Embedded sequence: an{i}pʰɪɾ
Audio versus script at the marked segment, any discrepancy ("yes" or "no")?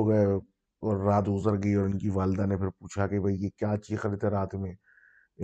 yes